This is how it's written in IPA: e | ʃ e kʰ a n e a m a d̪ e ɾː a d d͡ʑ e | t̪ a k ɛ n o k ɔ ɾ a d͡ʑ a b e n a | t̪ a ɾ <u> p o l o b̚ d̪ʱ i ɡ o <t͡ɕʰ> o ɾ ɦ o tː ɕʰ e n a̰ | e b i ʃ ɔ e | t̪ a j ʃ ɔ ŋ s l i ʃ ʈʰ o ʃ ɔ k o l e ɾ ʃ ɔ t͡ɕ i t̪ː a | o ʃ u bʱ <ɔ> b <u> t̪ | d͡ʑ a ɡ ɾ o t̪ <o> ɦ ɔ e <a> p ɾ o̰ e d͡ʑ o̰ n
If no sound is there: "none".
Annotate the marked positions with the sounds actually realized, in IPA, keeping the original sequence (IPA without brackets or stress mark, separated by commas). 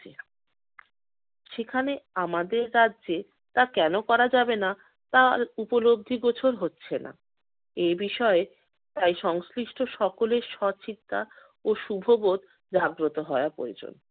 u, t͡ɕʰ, o, o, o, a